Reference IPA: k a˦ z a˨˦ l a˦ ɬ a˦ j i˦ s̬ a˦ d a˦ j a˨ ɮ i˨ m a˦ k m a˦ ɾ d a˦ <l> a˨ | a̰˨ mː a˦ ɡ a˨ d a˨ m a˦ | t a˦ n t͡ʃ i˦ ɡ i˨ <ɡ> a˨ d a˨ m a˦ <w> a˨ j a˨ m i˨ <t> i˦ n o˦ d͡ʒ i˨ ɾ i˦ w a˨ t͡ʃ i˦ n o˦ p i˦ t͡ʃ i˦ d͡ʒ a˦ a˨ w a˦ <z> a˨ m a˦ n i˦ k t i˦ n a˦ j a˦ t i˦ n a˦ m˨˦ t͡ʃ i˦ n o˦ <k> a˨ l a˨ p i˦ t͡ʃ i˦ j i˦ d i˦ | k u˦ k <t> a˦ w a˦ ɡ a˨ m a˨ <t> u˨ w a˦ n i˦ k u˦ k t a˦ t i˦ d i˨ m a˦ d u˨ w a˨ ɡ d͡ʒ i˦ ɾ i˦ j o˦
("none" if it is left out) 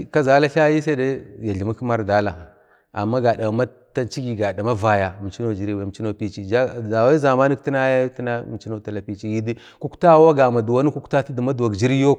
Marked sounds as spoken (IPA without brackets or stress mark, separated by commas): l, ɡ, v, t͡ʃ, z, t, t, d